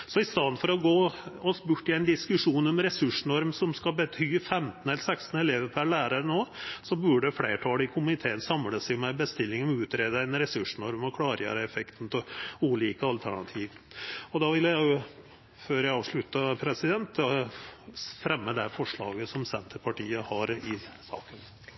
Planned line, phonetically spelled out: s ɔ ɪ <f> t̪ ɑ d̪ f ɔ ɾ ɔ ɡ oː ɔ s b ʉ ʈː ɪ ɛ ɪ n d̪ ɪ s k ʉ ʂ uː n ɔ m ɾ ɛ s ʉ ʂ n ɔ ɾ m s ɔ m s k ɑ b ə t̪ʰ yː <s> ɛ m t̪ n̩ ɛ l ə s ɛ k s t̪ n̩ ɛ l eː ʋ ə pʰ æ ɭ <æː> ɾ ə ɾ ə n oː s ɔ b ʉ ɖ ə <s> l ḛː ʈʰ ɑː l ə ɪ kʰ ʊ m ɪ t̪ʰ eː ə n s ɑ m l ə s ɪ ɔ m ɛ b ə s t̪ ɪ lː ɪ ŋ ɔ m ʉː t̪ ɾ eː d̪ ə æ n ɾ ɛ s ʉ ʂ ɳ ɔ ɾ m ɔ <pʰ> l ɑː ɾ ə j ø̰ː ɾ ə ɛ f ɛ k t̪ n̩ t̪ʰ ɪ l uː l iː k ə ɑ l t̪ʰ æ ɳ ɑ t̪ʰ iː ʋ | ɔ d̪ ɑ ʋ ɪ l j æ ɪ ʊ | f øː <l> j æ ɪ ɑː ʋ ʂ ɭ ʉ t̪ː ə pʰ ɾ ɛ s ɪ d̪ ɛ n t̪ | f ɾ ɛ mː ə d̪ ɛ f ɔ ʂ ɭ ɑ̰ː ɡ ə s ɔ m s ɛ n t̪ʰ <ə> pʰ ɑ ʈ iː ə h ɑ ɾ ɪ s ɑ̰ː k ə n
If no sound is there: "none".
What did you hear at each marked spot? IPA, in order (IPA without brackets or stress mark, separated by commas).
s, f, æː, f, kʰ, ɾ, ə